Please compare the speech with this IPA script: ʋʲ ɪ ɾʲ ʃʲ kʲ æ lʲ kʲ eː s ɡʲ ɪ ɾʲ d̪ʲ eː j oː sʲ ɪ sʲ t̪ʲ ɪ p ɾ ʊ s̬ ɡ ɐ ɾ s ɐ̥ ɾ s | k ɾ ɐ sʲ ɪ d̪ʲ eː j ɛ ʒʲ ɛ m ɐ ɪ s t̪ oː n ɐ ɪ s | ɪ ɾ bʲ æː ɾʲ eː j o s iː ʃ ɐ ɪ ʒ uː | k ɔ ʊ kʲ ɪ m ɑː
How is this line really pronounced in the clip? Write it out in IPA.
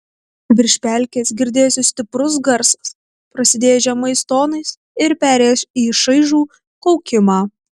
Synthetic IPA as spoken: ʋʲ ɪ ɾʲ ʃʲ pʲ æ lʲ kʲ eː s ɡʲ ɪ ɾʲ d̪ʲ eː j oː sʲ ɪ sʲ t̪ʲ ɪ p ɾ ʊ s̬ ɡ ɐ ɾ s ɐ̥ s | p ɾ ɐ sʲ ɪ d̪ʲ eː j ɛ ʒʲ ɛ m ɐ ɪ s t̪ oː n ɐ ɪ s | ɪ ɾ pʲ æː ɾʲ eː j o s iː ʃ ɐ ɪ ʒ uː | k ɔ ʊ kʲ ɪ m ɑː